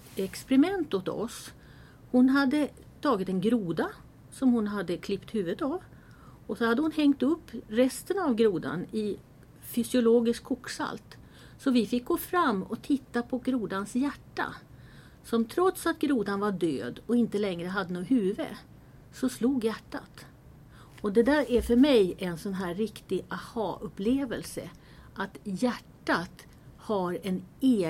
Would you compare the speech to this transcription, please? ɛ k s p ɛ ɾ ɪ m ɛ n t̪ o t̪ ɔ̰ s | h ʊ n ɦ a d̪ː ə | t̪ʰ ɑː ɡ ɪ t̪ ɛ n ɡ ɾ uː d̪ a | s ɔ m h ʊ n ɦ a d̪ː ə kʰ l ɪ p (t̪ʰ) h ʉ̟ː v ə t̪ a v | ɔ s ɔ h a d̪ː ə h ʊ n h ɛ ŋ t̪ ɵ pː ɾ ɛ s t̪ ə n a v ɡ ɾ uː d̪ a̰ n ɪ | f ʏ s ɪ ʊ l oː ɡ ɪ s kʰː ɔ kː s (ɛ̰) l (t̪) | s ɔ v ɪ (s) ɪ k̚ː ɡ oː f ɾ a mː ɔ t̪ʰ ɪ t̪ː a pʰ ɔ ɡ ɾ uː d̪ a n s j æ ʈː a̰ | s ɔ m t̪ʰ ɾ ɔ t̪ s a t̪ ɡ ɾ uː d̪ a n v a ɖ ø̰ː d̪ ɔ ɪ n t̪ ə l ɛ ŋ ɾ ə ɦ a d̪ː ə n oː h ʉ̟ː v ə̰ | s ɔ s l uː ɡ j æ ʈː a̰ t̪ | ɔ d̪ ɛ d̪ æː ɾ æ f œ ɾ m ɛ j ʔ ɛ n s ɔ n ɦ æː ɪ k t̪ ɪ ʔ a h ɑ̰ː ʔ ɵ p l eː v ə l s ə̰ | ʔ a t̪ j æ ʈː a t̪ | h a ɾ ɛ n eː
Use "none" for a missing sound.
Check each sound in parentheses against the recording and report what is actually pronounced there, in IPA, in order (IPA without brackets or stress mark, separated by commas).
t̪, a̰, t̪, f